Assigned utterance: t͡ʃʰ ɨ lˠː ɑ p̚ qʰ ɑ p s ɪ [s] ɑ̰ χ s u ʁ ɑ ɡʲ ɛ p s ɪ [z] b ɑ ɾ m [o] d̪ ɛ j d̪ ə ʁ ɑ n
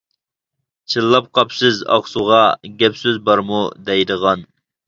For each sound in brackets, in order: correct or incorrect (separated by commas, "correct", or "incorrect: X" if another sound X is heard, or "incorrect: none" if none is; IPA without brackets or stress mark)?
incorrect: z, correct, incorrect: u